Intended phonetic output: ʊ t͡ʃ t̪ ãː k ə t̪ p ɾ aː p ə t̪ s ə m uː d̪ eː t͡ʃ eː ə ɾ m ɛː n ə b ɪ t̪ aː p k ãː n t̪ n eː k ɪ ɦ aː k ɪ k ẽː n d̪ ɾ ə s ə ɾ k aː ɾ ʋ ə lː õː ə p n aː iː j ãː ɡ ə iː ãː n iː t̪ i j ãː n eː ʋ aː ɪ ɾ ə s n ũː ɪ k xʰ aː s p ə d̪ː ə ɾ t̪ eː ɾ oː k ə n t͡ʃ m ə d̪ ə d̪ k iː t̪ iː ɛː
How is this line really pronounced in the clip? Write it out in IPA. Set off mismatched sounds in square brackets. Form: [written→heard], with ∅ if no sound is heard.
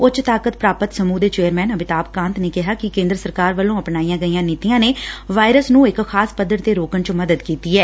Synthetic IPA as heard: ʊ t͡ʃ t̪ [ãː→aː] k ə t̪ p ɾ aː p ə t̪ s ə m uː d̪ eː t͡ʃ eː ə ɾ m ɛː n ə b ɪ t̪ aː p k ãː n t̪ n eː k ɪ ɦ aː k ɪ k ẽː n d̪ ɾ ə s ə ɾ k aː ɾ ʋ ə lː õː ə p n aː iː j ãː ɡ ə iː ãː n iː t̪ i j ãː n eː ʋ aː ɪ ɾ ə s n ũː ɪ k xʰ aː s p ə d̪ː ə ɾ t̪ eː ɾ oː k ə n t͡ʃ m ə d̪ ə d̪ k iː t̪ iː ɛː